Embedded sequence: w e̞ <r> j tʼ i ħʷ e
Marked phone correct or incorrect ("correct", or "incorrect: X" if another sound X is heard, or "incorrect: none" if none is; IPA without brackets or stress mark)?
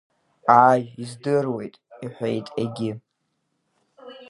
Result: incorrect: none